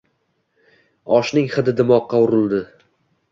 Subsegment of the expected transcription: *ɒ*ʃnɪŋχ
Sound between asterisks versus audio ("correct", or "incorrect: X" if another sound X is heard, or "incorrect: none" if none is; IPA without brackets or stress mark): correct